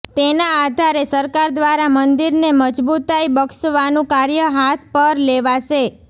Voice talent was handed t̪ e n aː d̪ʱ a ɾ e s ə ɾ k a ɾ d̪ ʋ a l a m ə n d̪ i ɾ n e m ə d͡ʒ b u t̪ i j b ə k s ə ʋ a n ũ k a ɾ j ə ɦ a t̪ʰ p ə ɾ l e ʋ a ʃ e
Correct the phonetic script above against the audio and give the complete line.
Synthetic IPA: t̪ e n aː d̪ʱ a ɾ e s ə ɾ k a ɾ d̪ ʋ a ɾ a m ə n d̪ i ɾ n e m ə d͡ʒ b u t̪ a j b ə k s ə ʋ a n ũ k a ɾ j ə ɦ a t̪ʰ p ə ɾ l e ʋ a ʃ e